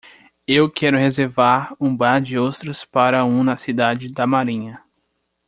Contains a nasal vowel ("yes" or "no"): yes